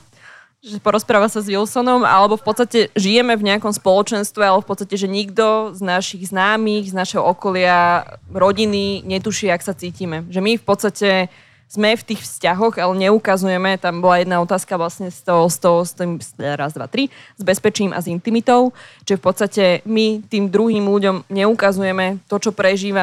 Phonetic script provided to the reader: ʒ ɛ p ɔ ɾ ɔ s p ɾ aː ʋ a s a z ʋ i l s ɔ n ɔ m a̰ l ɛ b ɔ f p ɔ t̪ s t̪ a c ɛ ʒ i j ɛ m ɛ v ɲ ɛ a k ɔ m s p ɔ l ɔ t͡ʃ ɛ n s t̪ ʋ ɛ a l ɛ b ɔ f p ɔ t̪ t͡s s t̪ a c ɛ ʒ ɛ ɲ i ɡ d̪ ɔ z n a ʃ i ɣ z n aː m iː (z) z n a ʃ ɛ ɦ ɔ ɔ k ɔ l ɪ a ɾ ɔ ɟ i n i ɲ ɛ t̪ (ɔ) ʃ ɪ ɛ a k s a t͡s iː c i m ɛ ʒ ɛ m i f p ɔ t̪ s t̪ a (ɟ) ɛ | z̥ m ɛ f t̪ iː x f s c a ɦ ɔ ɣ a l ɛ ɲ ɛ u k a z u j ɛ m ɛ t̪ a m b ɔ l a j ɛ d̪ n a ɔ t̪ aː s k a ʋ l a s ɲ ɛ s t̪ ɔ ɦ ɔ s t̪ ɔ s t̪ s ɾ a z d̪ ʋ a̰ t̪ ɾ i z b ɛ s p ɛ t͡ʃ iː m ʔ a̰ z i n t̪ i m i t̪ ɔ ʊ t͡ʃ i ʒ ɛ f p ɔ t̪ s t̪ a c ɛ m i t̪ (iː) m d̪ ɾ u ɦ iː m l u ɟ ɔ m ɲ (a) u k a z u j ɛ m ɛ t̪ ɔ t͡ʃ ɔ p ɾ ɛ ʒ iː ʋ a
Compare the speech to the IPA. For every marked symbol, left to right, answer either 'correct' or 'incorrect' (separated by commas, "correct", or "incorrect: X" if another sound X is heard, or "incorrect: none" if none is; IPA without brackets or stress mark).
incorrect: ɣ, incorrect: u, incorrect: c, correct, incorrect: ɛ